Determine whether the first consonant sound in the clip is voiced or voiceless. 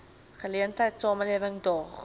voiceless